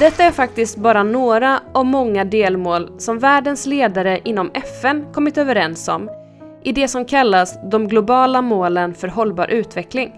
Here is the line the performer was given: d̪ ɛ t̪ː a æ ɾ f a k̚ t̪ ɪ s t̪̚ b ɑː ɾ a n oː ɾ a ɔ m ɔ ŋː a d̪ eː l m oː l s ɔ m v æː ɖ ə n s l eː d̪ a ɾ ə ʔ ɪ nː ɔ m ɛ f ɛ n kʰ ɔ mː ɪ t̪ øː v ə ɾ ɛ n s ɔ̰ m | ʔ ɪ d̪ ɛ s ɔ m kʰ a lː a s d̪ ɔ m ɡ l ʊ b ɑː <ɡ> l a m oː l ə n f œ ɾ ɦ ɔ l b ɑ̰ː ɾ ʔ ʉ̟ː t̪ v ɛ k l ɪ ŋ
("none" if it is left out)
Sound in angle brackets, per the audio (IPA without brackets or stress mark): none